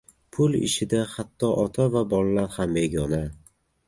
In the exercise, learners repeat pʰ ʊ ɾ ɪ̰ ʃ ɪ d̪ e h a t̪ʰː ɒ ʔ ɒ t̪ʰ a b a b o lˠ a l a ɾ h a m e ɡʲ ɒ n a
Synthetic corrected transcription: pʰ ʊ l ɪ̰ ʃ ɪ d̪ a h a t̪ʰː ɒ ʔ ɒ t̪ʰ a v a b ɒ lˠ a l a ɾ h a m e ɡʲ ɒ n a